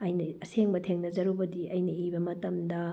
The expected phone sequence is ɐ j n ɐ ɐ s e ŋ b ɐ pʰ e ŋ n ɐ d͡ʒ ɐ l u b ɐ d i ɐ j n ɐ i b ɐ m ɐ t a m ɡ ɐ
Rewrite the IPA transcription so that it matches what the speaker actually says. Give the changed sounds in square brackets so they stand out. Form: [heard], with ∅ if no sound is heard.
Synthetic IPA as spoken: ɐ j n ɐ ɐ s e ŋ b ɐ [tʰ] e ŋ n ɐ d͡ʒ ɐ [ɾ] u b ɐ d i ɐ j n ɐ i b ɐ m ɐ t [ɐ] m [d] ɐ